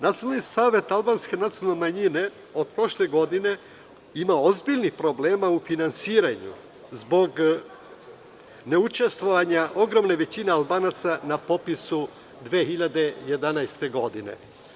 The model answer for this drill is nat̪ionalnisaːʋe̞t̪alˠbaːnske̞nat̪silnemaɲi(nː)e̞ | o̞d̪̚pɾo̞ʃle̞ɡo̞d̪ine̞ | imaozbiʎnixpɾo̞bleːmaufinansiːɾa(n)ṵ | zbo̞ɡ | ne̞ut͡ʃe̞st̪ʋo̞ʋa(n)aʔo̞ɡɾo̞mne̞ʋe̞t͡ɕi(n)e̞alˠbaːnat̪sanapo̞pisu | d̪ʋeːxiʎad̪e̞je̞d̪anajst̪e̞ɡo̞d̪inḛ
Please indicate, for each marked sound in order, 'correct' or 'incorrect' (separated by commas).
incorrect, incorrect, incorrect, correct